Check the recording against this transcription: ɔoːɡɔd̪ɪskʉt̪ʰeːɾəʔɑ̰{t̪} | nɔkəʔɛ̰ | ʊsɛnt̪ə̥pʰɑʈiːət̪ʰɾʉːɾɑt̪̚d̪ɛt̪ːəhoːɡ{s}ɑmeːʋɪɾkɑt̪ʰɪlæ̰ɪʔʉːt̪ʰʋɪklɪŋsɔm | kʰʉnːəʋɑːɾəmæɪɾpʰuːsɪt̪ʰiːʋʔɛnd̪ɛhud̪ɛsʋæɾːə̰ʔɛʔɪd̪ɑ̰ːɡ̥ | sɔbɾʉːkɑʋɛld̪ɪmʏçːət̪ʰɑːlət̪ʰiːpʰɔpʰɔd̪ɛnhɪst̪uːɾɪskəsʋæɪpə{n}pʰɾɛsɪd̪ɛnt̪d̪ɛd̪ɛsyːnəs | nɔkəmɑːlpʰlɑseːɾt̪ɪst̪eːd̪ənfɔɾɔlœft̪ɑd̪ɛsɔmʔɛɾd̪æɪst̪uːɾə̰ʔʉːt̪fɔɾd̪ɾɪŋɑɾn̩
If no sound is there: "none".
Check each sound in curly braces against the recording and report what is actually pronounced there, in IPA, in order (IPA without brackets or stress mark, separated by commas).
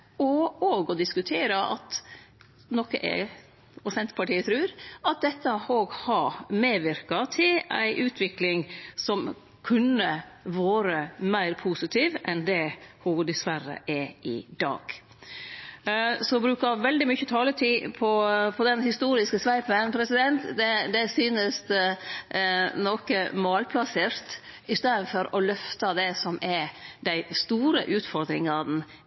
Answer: t̪, h, n